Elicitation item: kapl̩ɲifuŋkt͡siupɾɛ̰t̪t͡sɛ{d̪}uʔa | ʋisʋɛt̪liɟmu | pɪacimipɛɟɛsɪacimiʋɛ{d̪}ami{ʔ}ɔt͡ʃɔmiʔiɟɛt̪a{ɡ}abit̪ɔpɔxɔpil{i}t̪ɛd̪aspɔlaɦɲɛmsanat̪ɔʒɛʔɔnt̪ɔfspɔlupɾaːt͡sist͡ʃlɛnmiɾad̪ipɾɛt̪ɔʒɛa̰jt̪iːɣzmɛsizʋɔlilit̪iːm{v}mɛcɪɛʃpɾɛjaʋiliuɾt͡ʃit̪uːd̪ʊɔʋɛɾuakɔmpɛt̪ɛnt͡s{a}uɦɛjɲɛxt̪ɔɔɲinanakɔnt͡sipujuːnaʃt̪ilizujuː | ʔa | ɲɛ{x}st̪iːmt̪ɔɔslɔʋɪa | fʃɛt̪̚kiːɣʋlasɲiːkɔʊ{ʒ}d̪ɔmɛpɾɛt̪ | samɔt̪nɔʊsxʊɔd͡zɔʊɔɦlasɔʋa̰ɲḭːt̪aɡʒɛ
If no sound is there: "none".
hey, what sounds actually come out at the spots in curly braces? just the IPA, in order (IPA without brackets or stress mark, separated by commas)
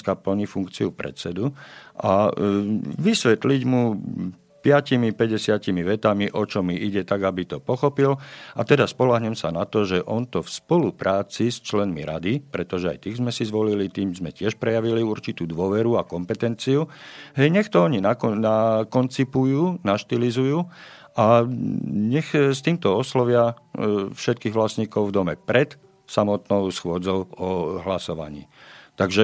d̪, t̪, ʔ, ɡ, a, z, i, x, v